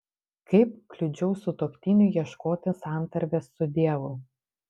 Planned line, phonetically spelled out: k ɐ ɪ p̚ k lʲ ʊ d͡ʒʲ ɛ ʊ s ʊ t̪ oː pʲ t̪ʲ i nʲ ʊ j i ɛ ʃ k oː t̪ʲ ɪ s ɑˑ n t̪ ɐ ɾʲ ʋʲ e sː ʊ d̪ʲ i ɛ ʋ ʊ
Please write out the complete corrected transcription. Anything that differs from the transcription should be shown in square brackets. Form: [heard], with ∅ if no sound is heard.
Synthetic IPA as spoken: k ɐ ɪ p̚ k lʲ ʊ d͡ʒʲ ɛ ʊ s ʊ t̪ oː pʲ t̪ʲ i nʲ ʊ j i ɛ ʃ k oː t̪ʲ ɪ s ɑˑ n t̪ ɐ ɾʲ ʋʲ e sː ʊ d̪ʲ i ɛ ʋ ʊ